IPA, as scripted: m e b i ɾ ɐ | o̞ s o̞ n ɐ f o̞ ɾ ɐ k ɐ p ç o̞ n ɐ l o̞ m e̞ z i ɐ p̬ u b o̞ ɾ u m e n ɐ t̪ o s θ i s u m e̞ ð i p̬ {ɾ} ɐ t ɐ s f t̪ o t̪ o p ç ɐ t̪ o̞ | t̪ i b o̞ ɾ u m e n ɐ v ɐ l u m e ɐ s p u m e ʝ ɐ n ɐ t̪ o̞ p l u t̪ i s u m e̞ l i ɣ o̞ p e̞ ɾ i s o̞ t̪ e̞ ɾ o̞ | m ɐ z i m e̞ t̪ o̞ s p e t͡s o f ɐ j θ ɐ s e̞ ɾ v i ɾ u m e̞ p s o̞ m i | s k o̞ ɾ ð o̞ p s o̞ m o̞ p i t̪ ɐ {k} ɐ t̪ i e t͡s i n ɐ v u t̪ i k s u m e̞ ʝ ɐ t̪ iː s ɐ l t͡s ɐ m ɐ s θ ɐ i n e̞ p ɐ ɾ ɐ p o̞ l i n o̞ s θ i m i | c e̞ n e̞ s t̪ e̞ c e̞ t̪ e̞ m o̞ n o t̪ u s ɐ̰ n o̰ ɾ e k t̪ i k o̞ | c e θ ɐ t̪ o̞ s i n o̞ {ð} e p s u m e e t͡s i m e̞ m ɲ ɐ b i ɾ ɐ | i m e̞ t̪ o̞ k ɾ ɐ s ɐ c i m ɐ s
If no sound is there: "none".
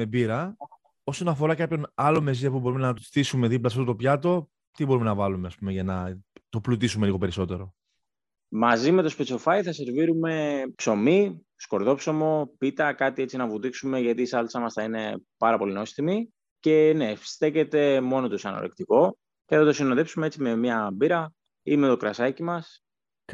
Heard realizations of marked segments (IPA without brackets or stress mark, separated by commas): l, k, ð